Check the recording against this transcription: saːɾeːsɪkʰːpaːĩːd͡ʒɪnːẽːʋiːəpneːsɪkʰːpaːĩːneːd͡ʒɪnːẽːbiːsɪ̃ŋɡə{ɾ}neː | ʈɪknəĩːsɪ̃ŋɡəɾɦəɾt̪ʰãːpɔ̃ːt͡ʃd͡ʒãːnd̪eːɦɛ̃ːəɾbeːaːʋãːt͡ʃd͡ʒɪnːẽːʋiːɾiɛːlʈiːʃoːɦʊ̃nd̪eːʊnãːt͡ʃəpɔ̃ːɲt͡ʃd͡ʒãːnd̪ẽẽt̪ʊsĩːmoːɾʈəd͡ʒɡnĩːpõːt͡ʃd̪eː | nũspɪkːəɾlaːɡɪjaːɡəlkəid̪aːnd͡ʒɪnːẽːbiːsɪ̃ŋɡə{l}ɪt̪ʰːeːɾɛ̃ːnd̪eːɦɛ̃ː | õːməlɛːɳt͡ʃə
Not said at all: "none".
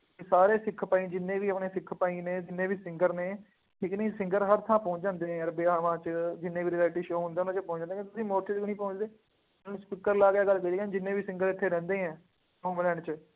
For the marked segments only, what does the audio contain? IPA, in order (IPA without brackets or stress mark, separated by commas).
ɾ, ɾ